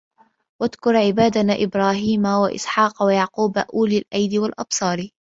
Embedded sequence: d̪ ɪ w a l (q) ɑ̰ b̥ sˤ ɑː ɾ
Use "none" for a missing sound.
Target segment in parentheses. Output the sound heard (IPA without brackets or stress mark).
ʔ